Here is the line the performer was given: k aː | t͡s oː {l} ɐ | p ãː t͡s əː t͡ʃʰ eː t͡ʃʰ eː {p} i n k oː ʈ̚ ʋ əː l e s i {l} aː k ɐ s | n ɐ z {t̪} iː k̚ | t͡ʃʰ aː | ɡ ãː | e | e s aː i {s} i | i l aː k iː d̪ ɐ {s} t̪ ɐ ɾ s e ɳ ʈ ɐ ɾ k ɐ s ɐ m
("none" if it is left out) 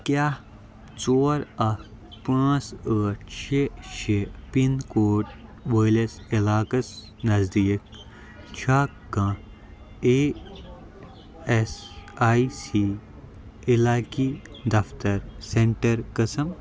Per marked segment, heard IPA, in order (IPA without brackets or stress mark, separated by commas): ɾ, p, l, d̪, s, f